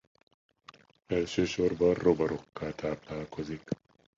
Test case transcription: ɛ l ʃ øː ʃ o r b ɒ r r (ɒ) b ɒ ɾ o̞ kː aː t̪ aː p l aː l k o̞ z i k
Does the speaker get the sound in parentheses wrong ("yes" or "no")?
yes